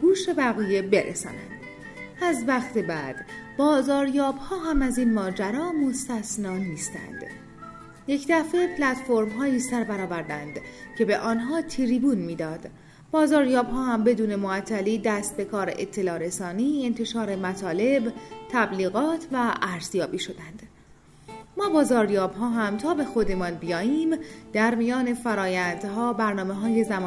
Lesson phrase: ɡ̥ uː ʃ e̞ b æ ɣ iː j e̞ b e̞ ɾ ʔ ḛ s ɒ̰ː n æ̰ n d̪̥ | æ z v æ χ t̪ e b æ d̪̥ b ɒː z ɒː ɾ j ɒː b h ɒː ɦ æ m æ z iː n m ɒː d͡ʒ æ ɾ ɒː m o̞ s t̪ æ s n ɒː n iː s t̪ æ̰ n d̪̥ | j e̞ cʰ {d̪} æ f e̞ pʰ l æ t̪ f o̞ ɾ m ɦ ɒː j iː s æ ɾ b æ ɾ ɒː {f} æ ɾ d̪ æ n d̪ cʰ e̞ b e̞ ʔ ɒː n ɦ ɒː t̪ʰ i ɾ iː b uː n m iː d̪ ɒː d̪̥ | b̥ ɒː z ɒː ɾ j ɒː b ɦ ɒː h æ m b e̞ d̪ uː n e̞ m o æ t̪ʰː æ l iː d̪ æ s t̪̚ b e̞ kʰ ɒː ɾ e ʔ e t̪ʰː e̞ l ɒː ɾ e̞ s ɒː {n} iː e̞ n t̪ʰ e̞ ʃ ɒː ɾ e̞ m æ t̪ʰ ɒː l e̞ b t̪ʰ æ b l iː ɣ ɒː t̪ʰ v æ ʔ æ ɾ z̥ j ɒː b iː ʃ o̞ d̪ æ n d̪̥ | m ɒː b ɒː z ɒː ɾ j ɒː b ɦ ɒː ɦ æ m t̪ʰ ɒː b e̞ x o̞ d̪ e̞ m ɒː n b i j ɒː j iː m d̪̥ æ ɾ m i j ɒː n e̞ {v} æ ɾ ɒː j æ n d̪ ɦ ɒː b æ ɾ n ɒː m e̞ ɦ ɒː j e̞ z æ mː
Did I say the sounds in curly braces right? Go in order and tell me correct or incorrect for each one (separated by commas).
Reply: correct, incorrect, correct, incorrect